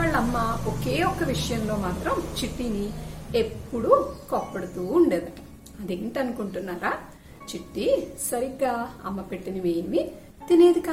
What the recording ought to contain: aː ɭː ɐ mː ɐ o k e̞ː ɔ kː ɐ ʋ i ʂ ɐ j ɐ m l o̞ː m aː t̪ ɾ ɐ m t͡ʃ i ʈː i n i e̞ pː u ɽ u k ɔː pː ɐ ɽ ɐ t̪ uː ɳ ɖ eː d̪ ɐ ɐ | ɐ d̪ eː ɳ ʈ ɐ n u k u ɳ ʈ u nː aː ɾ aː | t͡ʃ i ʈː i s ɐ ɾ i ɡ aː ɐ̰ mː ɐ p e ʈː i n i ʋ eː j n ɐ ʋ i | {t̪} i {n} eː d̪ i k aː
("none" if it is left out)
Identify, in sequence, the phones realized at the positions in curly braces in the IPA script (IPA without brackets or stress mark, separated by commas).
t̪, n